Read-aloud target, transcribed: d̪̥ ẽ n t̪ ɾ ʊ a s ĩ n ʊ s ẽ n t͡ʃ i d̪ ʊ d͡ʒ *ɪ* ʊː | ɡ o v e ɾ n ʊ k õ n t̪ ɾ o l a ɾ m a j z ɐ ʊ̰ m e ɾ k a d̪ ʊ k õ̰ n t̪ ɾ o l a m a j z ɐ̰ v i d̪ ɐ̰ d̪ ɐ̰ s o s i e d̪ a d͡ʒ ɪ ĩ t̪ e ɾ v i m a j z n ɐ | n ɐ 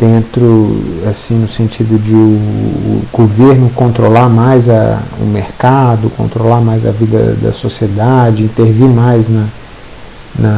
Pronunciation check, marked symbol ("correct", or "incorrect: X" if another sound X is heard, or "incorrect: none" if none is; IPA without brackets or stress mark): correct